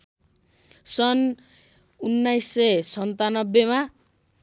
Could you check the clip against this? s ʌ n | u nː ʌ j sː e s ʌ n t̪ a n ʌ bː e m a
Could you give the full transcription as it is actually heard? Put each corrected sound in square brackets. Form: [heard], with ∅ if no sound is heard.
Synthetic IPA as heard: s ʌ n | u nː [a] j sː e s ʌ n t̪ a n ʌ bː e m a

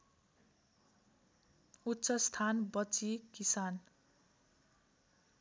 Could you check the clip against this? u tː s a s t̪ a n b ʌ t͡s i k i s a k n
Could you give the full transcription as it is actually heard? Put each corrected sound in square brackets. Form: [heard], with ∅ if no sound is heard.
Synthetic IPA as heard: u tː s [ʌ] s [t̪ʰ] a n b ʌ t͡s i k i s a [∅] n

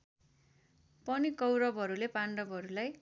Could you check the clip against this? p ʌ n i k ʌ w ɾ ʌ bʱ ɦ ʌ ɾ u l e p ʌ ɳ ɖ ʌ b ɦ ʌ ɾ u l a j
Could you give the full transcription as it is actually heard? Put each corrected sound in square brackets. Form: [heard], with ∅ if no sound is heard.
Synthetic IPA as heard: p ʌ n i k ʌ w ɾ ʌ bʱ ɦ ʌ ɾ u l e p [a] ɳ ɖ ʌ b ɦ ʌ ɾ u l a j

